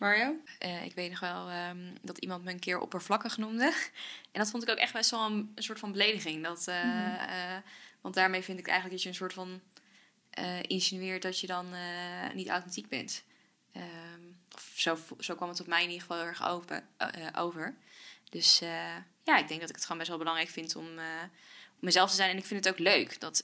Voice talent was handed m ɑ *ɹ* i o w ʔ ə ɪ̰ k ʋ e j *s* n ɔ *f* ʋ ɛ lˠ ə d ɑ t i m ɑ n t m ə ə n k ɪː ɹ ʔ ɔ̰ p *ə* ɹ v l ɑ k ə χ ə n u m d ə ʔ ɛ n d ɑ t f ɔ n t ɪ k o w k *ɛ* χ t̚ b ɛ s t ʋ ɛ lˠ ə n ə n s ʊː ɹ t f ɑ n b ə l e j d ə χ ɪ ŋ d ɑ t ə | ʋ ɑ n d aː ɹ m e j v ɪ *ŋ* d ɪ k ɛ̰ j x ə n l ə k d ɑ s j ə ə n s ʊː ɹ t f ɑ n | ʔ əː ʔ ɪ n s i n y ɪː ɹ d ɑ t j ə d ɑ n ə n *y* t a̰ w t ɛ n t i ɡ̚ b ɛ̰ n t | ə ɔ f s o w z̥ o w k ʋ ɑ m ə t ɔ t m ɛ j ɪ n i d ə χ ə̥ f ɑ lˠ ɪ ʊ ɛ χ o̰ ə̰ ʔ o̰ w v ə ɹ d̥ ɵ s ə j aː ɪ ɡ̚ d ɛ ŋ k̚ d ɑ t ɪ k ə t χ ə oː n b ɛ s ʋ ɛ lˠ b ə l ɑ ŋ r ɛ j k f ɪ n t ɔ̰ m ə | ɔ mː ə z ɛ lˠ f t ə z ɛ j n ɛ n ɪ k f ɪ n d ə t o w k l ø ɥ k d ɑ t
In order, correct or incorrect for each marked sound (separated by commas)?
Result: correct, incorrect, incorrect, correct, correct, incorrect, incorrect